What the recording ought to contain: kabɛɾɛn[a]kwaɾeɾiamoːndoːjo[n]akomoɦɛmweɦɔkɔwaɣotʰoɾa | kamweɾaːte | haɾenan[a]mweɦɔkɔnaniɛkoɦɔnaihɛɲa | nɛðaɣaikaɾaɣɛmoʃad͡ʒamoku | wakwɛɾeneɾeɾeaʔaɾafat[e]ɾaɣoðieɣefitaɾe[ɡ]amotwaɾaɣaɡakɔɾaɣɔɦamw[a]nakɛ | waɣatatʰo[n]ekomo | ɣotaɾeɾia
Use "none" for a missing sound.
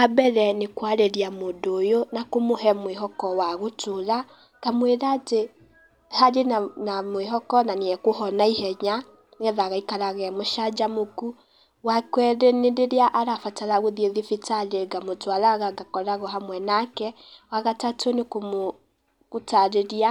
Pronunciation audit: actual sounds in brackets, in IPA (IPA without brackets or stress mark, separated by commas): e, n, a, a, ɡ, ɛ, n